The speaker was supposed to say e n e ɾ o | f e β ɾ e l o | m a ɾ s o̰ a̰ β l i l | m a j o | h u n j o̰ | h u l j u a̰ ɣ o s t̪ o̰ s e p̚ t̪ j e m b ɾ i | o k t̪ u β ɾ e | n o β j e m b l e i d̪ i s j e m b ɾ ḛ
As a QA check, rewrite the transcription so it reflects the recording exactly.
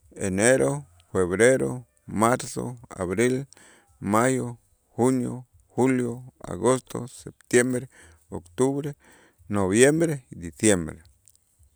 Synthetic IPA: e n e ɾ o | f e β ɾ e ɾ o | m a ɾ s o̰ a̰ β ɾ i l | m a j o | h u n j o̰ | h u l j o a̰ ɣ o s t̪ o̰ s e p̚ t̪ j e m b ɾ e | o k t̪ u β ɾ e | n o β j e m b ɾ e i d̪ i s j e m b ɾ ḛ